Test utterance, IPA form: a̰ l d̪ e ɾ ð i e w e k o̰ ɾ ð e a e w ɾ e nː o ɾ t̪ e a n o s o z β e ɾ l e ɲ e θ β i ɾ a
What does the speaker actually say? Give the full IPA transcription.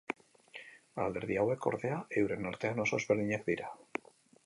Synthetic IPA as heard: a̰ l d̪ e ɾ ð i a w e k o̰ ɾ ð e a e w ɾ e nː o ɾ t̪ e a n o s o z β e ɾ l i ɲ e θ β i ɾ a